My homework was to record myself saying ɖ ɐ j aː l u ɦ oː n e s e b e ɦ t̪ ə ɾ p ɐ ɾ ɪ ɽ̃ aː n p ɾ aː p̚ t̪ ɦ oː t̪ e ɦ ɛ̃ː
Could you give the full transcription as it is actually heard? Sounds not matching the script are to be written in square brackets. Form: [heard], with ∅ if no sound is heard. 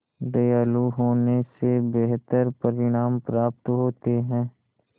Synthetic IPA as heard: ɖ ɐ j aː l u ɦ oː n e s e b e ɦ t̪ ə ɾ p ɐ ɾ ɪ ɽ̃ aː [m] p ɾ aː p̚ t̪ ɦ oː t̪ e ɦ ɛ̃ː